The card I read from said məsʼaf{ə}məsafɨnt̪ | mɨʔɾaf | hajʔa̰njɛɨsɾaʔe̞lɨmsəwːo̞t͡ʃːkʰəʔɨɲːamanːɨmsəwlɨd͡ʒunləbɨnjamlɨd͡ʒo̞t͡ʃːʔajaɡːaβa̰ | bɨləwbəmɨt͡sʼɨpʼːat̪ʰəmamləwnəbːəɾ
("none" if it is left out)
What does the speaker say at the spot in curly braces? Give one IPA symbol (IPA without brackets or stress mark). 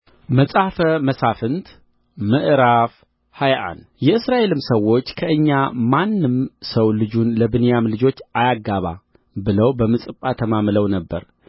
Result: ə